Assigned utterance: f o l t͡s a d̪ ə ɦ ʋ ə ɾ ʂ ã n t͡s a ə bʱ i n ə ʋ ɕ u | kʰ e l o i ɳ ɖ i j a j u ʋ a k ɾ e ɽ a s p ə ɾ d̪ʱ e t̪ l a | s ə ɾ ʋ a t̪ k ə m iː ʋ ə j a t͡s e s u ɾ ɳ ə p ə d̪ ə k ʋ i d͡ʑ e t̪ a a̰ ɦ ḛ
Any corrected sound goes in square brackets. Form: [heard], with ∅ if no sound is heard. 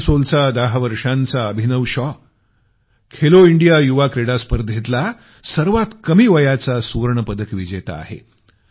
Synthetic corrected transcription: [s] o l t͡s a d̪ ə ɦ ʋ ə ɾ ʂ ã n t͡s a ə bʱ i n ə ʋ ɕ [ɔ] | kʰ e l o i ɳ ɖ i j a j u ʋ a k ɾ e ɽ a s p ə ɾ d̪ʱ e t̪ l a | s ə ɾ ʋ a t̪ k ə m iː ʋ ə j a t͡s [a] s u ɾ ɳ ə p ə d̪ ə k ʋ i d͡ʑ e t̪ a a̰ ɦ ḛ